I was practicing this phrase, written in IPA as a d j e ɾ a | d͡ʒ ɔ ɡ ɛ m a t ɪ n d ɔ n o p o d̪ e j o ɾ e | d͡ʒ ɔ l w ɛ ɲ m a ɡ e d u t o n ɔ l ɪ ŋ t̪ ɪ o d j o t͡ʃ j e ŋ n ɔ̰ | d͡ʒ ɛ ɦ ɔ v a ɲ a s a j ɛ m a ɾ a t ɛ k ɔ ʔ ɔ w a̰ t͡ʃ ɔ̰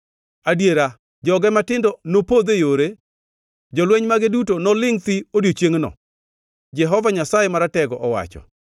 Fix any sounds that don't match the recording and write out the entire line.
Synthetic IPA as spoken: a d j e ɾ a | d͡ʒ ɔ ɡ ɛ m a t ɪ n d ɔ n o p o d̪ e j o ɾ e | d͡ʒ ɔ l w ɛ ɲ m a ɡ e d u t o n ɔ l ɪ ŋ t̪ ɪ o d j o t͡ʃ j e ŋ n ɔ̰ | d͡ʒ ɛ ɦ ɔ v a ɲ a s a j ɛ m a ɾ a t ɛ ɡ ɔ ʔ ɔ w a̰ t͡ʃ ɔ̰